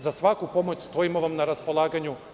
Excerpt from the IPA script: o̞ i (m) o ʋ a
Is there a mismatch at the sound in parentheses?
no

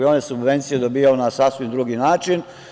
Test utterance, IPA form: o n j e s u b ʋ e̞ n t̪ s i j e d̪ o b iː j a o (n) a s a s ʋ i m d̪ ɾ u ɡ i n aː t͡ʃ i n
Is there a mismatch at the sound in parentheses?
no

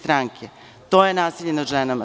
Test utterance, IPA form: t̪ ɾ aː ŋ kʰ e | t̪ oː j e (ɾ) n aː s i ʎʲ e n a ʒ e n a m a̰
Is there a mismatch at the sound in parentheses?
yes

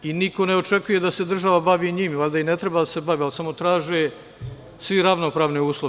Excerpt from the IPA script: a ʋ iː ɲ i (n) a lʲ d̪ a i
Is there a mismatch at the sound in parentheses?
yes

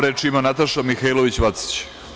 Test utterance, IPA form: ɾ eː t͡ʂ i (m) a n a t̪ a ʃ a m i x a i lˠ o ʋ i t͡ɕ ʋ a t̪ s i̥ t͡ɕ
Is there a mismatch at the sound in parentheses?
no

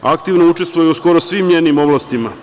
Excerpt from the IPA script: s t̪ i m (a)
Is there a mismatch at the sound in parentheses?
no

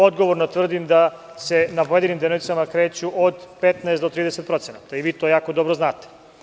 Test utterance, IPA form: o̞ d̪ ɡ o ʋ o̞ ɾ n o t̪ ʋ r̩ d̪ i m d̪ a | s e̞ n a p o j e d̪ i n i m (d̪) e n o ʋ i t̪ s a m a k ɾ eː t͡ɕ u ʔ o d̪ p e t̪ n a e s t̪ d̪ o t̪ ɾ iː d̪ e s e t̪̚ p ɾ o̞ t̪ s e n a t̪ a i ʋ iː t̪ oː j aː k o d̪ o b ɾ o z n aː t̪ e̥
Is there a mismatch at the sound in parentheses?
no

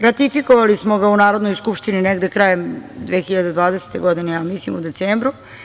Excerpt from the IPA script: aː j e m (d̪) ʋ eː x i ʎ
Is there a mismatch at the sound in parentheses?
no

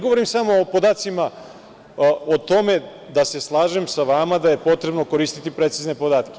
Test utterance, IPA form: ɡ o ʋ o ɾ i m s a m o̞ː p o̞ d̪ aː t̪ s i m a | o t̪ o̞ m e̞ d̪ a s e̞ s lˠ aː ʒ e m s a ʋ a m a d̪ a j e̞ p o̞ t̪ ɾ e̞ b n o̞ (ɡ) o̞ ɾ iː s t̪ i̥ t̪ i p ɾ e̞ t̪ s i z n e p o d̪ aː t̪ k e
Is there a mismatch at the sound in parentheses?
yes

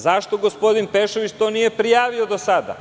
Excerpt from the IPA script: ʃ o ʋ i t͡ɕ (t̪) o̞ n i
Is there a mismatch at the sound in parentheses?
no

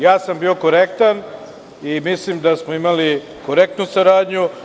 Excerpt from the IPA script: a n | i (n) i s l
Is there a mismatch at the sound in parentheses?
yes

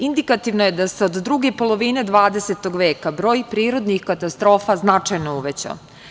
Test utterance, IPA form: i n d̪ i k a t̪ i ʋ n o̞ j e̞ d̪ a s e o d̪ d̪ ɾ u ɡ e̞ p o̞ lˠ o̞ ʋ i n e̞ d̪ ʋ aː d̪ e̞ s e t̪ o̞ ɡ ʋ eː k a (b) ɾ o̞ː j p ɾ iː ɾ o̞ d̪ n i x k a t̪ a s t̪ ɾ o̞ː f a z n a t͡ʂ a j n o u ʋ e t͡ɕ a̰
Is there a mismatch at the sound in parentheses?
no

